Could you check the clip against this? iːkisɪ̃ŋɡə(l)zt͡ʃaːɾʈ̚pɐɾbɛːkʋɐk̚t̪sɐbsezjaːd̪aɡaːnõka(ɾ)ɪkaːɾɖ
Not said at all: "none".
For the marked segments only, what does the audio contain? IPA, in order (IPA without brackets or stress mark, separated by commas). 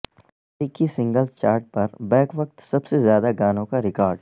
l, ɾ